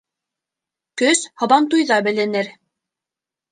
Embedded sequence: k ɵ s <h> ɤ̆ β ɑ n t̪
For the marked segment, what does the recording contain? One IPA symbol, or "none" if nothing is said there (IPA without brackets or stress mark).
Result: h